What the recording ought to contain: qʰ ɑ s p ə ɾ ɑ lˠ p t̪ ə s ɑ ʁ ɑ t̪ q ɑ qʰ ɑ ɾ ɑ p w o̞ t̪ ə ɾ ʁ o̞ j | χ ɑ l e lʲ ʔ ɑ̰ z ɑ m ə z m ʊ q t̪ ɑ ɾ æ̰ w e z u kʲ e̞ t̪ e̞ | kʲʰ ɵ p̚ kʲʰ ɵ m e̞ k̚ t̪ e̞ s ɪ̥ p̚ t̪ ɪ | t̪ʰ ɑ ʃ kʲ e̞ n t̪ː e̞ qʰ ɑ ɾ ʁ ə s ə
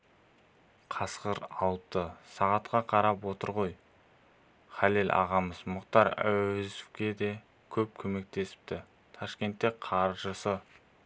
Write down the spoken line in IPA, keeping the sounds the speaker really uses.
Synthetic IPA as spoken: qʰ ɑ s q ə ɾ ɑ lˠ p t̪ ə s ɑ ʁ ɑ t̪ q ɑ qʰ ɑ ɾ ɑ p w o̞ t̪ ə ɾ ʁ o̞ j | χ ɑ l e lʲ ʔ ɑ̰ ʁ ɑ m ə z m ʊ q t̪ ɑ ɾ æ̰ w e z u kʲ e̞ d̪ e̞ | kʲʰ ɵ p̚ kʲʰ ɵ m e̞ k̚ t̪ e̞ s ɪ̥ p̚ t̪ ɪ | t̪ʰ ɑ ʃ kʲ e̞ n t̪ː e̞ qʰ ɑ ɾ ʒ ə s ə

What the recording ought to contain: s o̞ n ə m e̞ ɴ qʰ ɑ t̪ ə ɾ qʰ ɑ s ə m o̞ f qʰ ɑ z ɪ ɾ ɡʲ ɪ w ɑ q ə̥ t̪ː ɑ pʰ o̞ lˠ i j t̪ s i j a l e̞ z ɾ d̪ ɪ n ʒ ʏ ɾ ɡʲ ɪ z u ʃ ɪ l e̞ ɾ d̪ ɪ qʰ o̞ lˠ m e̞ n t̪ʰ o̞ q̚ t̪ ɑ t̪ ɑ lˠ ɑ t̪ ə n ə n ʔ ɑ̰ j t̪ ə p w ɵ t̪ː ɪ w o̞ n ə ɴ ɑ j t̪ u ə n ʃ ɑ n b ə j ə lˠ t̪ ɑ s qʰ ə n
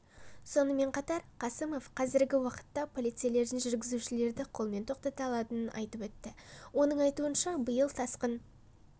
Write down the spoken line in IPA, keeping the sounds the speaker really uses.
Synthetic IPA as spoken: s o̞ n ə m e̞ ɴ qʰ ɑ t̪ ɑ ɾ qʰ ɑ s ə m o̞ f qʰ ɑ z ɪ ɾ ɡʲ ɪ w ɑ q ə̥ t̪ː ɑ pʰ o̞ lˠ i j t̪ s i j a l e̞ ɾ d̪ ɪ n ʒ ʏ ɾ ɡʲ ɪ z u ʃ ɪ l e̞ ɾ d̪ ɪ qʰ o̞ lˠ m e̞ n t̪ʰ o̞ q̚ t̪ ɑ t̪ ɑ lˠ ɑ t̪ ə n ə n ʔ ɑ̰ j t̪ ə p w ɵ t̪ː ɪ w o̞ n ə ɴ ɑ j t̪ u ə n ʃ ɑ b ə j ə lˠ t̪ʰ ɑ s q ə n

